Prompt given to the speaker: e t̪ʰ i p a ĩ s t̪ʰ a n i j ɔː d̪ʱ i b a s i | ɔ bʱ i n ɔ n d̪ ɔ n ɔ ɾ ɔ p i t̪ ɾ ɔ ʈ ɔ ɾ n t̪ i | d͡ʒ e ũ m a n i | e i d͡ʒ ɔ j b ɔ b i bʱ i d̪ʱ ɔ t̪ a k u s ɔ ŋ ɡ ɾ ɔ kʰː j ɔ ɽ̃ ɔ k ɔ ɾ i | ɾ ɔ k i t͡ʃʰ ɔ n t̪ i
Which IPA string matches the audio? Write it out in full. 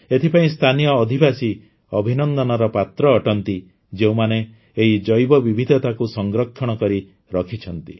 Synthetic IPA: e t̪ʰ i p a ĩ s t̪ʰ a n i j ɔː d̪ʱ i b a s i | ɔ bʱ i n ɔ n d̪ ɔ n ɔ ɾ ɔ p a t̪ ɾ ɔː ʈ ɔ n t̪ i | d͡ʒ e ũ m a n e | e i d͡ʒ ɔ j b ɔ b i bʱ i d̪ʱ ɔ t̪ a k u s ɔ ŋ ɡ ɾ ɔ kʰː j ɔ ɽ̃ ɔ k ɔ ɾ i | ɾ ɔ kʰ i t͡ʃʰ ɔ n t̪ i